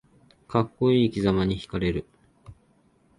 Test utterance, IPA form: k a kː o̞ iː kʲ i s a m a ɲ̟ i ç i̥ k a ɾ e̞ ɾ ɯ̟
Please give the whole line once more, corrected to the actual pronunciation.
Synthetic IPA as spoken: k a kː o̞ iː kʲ i z a m a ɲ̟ i ç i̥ k a ɾ e̞ ɾ ɯ̟